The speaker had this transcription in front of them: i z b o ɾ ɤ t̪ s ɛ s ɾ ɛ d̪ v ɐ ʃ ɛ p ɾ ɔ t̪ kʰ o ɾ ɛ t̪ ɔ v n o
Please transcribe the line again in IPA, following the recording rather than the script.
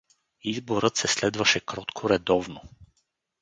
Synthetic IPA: i z b o ɾ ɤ t̪ s ɛ s l ɛ d̪ v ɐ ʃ ɛ k ɾ ɔ t̪ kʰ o ɾ ɛ d̪ ɔ v n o